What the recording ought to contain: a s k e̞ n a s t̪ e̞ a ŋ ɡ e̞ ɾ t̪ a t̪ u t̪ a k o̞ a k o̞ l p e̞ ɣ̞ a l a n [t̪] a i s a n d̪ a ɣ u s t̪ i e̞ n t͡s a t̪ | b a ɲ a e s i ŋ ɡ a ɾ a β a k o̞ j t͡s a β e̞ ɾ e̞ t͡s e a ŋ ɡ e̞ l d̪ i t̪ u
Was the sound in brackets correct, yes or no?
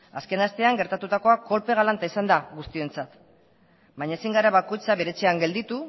yes